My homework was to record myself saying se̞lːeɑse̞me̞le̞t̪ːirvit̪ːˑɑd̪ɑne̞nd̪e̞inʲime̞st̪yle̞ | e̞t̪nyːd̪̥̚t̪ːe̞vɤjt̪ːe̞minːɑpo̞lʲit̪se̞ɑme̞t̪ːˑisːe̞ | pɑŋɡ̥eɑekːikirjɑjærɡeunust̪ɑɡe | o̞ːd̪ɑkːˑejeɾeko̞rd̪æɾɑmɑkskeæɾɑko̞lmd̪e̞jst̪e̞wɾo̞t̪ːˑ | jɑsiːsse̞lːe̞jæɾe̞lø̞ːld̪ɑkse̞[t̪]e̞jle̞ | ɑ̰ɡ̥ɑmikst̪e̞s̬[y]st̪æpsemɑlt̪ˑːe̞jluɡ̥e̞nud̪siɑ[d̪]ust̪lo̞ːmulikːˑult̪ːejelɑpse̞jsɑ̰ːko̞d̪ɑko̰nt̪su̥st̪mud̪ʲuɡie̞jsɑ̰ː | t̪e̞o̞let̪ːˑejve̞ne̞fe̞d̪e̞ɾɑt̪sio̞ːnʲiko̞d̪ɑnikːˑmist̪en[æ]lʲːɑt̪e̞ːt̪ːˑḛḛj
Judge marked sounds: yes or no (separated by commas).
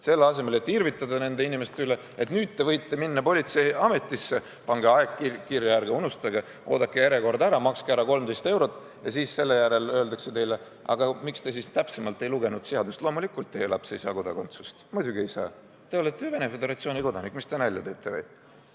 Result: yes, no, yes, yes